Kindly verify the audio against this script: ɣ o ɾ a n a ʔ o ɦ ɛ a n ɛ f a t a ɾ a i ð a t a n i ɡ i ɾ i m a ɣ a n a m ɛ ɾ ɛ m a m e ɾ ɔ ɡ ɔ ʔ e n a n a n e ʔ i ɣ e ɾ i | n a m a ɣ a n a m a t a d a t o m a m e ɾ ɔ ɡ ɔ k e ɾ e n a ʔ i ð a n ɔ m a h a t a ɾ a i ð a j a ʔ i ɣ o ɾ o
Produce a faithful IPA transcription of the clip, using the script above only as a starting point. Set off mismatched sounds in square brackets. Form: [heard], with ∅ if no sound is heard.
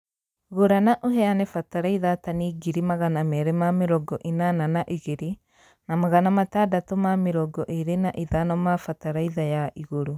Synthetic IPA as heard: ɣ o ɾ a n a ʔ o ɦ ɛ a n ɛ f a t a ɾ a i ð a t a n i ɡ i ɾ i m a ɣ a n a m ɛ ɾ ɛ m a m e ɾ ɔ ɡ ɔ ʔ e n a n a n [a] ʔ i ɣ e ɾ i | n a m a ɣ a n a m a t a d a t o m a m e ɾ ɔ ɡ ɔ [ʔ] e ɾ e n a ʔ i ð a n ɔ m a [f] a t a ɾ a i ð a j a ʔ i ɣ o ɾ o